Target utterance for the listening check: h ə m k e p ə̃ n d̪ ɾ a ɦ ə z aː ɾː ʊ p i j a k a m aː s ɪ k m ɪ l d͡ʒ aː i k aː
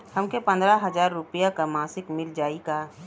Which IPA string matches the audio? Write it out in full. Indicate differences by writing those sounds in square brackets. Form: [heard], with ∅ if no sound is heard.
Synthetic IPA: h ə m k e p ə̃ n d̪ ɾ a ɦ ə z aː ɾː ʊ p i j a k a m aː s ɪ k m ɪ l d͡ʒ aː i k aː